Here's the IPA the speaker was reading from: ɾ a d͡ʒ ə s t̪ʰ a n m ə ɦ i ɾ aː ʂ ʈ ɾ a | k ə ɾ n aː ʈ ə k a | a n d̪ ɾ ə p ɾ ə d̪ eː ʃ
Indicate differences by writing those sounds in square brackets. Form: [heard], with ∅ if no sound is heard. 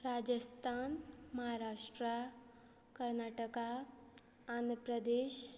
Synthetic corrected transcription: ɾ a d͡ʒ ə s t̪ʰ a n m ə ɦ [a] ɾ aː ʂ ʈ ɾ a | k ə ɾ n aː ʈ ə k a | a n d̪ ɾ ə p ɾ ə d̪ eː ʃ